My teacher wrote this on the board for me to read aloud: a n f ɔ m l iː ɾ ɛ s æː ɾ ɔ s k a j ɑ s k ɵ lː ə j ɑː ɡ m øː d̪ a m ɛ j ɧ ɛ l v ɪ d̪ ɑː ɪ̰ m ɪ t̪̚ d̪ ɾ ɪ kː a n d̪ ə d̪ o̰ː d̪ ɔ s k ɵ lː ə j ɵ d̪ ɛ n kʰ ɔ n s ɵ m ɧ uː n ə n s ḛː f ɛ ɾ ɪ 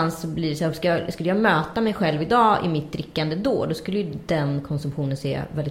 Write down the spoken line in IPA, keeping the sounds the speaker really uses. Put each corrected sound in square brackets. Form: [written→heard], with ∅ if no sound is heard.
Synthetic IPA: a n [f→s] ɔ [m→b] l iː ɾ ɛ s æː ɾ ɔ s k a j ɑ s k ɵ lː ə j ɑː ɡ m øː [d̪→t̪] a m ɛ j ɧ ɛ l v ɪ d̪ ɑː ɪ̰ m ɪ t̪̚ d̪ ɾ ɪ kː a n d̪ ə d̪ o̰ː d̪ ɔ s k ɵ lː ə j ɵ d̪ ɛ n kʰ ɔ n s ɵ m ɧ uː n ə n s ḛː [f→v] ɛ [ɾ→l] ɪ